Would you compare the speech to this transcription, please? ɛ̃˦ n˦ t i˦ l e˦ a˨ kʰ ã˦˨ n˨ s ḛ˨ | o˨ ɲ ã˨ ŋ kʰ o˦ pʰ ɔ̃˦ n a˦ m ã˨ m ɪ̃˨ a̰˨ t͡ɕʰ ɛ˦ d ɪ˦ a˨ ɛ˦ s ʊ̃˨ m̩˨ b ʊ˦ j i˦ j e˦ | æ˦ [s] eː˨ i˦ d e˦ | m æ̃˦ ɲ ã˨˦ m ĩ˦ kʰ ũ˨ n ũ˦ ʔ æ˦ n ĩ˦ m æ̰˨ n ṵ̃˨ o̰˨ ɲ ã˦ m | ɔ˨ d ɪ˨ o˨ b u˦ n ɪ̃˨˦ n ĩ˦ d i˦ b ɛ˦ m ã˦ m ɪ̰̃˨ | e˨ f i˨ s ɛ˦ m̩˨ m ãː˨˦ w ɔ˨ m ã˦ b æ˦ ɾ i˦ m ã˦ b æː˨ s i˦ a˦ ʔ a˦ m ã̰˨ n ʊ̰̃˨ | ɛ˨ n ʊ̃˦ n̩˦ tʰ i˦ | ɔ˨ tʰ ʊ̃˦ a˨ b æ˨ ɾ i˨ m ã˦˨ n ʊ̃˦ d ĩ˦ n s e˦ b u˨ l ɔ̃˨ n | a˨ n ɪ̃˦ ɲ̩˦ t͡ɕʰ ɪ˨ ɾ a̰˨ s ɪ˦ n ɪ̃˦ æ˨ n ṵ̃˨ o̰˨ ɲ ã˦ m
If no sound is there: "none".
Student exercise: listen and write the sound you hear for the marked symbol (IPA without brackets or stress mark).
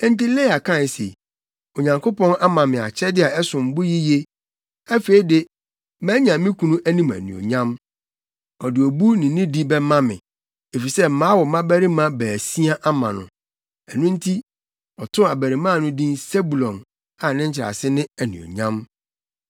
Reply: f